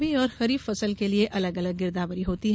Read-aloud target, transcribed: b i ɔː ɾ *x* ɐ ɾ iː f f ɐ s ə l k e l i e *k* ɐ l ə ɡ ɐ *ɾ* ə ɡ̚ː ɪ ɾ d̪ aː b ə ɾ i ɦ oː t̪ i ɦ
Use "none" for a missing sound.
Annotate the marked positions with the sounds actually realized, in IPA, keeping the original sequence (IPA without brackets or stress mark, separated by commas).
x, ʔ, l